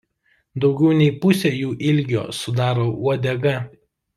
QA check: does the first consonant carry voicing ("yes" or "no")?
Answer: yes